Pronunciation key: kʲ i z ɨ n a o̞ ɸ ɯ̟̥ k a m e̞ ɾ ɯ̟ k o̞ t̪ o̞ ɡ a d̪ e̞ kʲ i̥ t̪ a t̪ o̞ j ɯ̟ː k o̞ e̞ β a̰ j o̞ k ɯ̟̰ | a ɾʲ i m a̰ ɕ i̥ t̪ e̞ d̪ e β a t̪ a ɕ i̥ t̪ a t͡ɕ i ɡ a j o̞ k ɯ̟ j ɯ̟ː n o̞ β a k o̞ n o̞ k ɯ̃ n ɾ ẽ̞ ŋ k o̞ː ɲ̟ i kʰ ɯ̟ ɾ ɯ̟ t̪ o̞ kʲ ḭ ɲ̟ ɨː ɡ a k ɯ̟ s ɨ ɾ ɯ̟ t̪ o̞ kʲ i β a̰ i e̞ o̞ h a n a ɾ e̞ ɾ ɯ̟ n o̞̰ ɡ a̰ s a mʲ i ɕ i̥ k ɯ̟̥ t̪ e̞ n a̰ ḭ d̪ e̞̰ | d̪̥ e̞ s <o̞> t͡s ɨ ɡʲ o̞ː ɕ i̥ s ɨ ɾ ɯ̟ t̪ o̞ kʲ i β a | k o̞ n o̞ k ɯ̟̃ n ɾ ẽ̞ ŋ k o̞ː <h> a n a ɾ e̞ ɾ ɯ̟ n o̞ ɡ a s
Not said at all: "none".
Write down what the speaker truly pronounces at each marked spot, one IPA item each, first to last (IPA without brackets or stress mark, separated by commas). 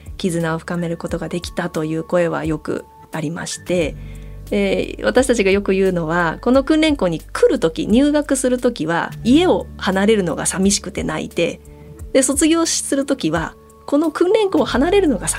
o̞, h